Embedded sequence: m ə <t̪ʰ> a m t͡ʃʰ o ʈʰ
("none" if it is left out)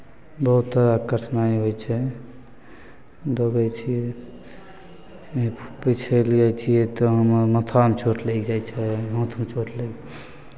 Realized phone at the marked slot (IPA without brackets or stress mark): t̪ʰ